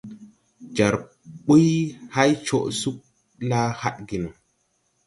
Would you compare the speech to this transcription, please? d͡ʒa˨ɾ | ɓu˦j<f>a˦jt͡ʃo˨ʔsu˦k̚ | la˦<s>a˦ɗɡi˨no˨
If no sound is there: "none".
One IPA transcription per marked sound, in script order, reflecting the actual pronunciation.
h, h

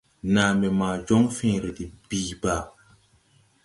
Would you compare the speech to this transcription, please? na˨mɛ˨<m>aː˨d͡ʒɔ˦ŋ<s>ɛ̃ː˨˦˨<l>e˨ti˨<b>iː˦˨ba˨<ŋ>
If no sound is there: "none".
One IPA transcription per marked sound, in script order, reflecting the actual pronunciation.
m, f, ɾ, b, none

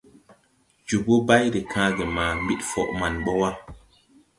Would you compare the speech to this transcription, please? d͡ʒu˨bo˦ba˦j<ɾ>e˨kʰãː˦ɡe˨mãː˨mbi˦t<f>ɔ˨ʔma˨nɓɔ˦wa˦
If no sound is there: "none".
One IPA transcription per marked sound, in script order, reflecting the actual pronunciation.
ɾ, f

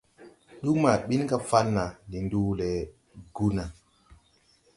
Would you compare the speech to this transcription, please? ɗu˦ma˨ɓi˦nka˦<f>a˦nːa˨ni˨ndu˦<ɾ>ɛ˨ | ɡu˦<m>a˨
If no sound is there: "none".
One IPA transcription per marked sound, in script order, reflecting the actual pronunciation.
f, l, n

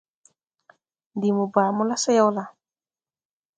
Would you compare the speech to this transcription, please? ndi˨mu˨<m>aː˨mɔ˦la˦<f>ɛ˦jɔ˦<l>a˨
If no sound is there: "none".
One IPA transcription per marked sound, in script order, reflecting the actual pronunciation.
b, s, l

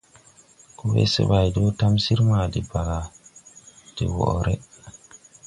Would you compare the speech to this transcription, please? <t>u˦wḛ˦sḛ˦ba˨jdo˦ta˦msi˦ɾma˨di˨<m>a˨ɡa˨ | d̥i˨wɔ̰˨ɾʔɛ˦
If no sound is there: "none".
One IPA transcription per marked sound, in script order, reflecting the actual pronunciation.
k, b

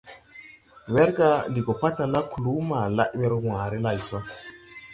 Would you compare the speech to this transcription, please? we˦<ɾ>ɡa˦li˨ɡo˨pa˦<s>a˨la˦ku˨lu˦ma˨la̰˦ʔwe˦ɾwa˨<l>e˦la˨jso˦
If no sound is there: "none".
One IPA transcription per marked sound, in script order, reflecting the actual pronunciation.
ɾ, t, ɾ

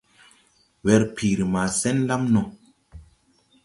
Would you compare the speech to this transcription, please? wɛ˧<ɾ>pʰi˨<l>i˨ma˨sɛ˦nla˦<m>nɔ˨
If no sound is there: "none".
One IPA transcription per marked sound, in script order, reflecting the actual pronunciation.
ɾ, ɾ, m

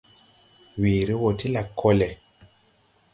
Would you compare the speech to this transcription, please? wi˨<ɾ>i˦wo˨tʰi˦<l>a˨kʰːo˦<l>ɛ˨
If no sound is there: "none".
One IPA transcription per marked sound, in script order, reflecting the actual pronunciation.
ɾ, l, l

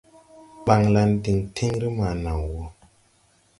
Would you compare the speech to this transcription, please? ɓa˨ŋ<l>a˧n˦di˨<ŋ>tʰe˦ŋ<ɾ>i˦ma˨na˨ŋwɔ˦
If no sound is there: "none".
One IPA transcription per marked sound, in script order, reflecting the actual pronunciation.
l, ŋ, ɾ

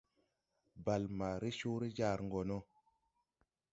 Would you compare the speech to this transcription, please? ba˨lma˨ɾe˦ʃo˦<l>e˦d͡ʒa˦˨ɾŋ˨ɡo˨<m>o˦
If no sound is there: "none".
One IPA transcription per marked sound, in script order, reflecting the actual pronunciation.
ɾ, n

